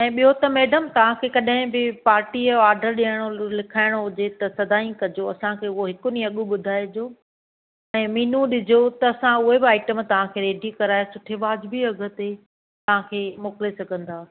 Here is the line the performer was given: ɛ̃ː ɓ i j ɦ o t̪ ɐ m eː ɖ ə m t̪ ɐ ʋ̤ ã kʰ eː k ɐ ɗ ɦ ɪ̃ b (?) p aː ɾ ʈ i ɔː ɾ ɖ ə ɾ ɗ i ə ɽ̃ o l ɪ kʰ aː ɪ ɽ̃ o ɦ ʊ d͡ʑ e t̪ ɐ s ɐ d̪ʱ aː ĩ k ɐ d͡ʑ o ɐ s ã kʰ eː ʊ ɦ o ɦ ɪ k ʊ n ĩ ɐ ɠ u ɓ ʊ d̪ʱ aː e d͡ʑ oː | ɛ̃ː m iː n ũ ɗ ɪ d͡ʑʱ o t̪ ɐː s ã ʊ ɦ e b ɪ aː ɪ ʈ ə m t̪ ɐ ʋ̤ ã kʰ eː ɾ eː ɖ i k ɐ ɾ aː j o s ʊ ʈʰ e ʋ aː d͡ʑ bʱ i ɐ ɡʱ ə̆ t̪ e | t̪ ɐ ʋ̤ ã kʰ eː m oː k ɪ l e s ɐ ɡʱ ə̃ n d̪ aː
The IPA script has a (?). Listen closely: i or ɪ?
ɪ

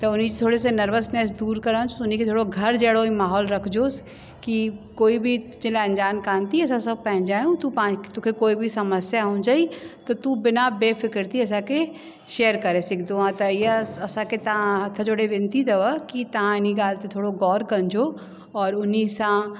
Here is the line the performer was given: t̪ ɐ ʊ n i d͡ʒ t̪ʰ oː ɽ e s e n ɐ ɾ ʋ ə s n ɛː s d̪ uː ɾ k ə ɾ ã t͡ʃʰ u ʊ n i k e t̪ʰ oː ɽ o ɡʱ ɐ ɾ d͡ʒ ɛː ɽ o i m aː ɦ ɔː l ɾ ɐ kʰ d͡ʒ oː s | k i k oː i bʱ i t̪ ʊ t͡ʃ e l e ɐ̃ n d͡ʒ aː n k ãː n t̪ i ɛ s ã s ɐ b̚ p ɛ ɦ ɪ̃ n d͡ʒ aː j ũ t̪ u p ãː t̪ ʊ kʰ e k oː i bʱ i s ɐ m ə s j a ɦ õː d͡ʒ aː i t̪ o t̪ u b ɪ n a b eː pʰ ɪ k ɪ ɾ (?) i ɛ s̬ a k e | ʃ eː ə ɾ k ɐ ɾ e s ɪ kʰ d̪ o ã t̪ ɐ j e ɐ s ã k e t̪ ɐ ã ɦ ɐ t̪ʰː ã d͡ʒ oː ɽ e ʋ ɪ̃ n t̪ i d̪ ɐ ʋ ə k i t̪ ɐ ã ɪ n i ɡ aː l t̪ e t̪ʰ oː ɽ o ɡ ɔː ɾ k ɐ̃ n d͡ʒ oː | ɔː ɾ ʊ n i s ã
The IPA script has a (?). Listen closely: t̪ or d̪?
t̪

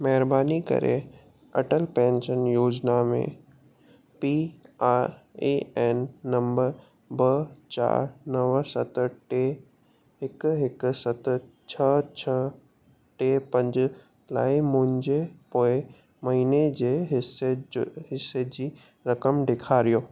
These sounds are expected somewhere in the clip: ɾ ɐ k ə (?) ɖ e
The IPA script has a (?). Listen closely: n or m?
m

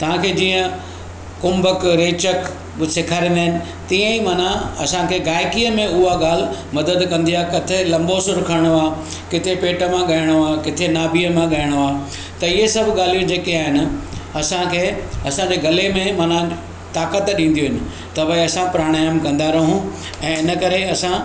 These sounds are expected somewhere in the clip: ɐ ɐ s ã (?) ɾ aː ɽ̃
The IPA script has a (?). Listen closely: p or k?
p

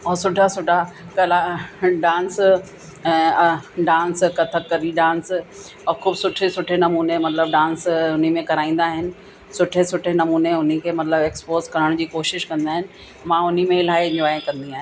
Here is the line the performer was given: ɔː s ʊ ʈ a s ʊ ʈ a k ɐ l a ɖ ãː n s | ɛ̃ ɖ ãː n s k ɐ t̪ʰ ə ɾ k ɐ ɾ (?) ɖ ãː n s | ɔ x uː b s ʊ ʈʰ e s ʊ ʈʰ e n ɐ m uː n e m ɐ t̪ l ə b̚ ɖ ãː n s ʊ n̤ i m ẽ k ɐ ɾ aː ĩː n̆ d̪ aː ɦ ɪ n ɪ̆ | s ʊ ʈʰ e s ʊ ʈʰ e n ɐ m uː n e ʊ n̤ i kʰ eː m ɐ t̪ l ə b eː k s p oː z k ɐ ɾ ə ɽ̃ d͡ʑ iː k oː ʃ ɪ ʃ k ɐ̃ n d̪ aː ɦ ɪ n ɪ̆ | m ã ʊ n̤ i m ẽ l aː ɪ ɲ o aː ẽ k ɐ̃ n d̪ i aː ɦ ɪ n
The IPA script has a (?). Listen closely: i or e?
i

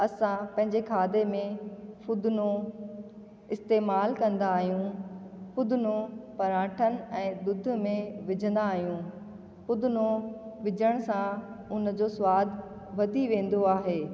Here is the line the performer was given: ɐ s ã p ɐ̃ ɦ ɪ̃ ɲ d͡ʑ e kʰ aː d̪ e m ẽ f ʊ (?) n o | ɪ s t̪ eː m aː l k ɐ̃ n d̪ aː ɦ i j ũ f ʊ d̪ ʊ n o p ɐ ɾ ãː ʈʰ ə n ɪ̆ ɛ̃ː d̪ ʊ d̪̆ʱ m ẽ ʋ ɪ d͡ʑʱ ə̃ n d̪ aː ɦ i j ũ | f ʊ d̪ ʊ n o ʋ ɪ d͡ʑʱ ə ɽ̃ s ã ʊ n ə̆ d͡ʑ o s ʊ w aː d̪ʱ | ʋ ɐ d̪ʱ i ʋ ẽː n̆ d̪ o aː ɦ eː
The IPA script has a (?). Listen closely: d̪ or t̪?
d̪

